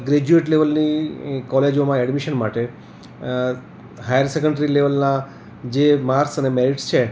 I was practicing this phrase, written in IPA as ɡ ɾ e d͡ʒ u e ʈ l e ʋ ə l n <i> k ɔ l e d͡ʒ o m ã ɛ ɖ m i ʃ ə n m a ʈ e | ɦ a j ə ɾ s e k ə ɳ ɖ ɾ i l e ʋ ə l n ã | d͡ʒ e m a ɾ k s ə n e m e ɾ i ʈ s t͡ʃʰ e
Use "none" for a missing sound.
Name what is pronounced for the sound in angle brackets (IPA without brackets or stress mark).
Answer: i